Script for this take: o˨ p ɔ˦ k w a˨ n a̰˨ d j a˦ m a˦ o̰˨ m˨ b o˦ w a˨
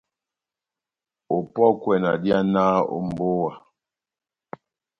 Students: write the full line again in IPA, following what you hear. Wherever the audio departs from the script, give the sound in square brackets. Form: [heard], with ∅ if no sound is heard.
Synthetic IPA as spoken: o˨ p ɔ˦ k w [ɛ˨] n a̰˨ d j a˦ [n] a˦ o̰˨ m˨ b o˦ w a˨